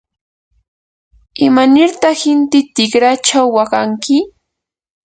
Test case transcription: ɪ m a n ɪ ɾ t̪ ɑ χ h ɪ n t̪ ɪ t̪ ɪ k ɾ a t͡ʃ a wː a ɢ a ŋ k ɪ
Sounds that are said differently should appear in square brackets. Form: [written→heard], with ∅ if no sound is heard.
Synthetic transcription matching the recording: ɪ m a n ɪ ɾ t̪ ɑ χ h ɪ n t̪ ɪ t̪ ɪ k ɾ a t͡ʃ a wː a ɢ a ŋ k ɪ